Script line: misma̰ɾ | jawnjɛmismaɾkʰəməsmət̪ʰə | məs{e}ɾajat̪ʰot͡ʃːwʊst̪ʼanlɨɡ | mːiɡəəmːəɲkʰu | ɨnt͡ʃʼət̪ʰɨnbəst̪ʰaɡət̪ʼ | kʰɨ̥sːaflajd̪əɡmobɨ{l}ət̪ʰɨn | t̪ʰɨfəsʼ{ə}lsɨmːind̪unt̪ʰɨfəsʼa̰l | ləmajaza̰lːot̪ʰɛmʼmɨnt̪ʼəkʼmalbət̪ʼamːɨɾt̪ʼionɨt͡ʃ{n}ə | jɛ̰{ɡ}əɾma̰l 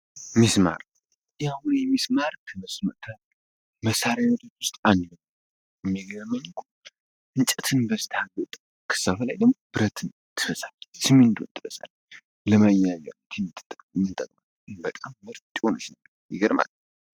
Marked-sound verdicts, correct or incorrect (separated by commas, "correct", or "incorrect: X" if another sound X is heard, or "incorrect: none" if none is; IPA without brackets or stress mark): incorrect: a, incorrect: ɾ, incorrect: a, correct, correct